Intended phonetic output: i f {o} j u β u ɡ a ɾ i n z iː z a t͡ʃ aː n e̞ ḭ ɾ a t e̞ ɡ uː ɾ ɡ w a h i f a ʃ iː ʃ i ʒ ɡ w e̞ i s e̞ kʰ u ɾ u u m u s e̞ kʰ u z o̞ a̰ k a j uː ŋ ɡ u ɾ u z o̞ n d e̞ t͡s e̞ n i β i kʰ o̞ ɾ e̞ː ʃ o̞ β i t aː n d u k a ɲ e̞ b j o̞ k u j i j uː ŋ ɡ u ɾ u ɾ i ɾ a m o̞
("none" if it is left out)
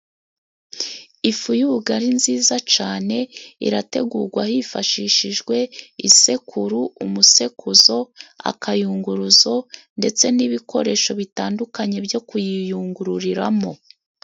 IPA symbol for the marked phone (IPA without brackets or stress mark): u